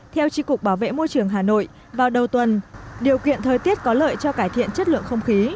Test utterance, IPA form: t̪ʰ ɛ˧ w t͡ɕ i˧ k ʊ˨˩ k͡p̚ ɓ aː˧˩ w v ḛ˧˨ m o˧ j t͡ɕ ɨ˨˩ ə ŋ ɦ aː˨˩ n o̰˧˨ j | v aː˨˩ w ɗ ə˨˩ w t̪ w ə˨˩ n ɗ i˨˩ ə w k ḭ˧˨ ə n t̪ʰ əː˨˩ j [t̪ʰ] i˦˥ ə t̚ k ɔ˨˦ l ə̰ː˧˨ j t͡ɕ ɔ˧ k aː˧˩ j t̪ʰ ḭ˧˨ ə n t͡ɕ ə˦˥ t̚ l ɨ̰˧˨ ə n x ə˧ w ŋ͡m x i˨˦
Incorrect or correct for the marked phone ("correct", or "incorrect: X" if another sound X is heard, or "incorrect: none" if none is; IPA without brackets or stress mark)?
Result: incorrect: t̪